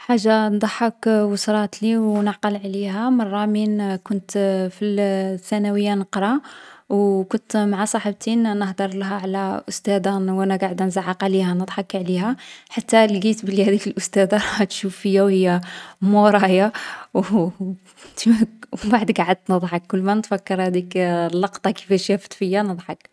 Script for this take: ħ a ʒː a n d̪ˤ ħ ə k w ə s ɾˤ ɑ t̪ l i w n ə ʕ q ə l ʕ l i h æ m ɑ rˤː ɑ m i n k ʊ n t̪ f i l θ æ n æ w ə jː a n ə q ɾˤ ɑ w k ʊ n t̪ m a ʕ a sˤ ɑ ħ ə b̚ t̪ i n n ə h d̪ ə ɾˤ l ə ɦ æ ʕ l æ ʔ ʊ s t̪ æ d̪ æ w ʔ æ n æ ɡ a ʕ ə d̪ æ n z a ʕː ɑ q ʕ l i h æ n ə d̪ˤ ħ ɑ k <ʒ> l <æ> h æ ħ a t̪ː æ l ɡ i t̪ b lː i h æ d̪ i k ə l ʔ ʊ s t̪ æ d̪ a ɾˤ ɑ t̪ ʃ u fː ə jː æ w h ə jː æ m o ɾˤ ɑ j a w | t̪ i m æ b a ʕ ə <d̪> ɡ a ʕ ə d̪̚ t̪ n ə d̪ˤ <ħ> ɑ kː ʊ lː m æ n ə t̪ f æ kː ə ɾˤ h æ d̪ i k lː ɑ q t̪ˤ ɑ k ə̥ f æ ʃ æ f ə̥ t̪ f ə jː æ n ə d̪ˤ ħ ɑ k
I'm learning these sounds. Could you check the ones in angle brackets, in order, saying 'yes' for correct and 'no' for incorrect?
no, no, yes, yes

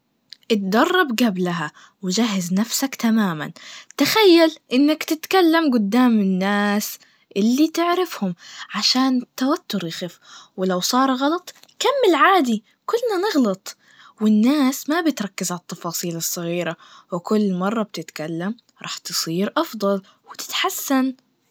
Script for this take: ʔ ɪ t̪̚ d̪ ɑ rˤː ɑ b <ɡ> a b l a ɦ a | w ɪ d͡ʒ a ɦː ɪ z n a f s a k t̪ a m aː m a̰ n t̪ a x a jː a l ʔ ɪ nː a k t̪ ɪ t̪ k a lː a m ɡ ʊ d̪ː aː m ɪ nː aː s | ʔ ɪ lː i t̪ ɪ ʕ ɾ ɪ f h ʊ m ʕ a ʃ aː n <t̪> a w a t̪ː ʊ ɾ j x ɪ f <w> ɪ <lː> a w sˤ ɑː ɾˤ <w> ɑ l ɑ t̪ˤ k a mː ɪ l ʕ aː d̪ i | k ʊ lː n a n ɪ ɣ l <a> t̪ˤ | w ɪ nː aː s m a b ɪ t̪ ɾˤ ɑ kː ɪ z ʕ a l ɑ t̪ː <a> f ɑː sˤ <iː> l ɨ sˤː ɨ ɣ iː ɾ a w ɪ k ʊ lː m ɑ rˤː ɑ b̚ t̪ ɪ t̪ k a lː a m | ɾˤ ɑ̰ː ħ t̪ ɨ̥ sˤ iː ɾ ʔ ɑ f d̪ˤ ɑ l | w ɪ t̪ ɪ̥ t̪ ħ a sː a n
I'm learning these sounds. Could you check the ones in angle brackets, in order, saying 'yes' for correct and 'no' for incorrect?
yes, yes, yes, no, no, no, no, yes

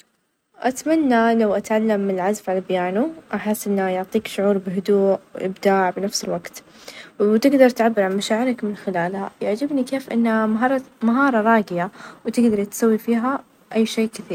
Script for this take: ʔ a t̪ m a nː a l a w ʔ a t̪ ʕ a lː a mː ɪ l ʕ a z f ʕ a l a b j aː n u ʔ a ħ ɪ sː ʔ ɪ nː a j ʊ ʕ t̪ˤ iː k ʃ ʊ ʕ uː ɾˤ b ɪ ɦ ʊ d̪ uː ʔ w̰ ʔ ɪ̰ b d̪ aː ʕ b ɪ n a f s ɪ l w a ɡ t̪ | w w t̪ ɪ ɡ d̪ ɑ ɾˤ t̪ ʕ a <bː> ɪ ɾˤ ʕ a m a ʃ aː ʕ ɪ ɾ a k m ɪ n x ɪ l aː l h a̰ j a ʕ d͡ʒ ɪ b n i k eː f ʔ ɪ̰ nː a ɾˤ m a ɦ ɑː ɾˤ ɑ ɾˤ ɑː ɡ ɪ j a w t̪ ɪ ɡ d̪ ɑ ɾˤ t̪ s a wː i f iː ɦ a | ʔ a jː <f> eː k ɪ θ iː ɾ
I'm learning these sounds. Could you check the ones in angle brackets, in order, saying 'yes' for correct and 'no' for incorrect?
yes, no

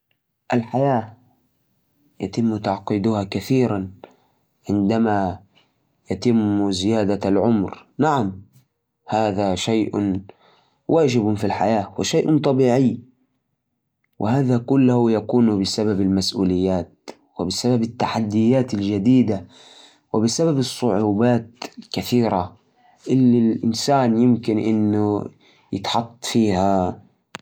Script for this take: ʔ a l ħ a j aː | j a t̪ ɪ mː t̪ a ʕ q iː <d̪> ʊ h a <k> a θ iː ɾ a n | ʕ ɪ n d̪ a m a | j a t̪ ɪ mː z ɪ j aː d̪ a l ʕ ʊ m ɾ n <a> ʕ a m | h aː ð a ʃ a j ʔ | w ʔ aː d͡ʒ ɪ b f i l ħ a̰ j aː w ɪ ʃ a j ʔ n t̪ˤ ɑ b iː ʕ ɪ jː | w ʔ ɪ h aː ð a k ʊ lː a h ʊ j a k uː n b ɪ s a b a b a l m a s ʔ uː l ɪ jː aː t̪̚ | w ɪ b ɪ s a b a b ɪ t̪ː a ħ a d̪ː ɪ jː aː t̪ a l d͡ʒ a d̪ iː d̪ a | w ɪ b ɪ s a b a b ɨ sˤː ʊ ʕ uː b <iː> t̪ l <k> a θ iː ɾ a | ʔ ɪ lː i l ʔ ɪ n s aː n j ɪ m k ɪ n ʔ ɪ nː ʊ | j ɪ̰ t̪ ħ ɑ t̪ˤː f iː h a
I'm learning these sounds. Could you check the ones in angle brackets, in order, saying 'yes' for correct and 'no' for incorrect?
yes, yes, yes, no, yes

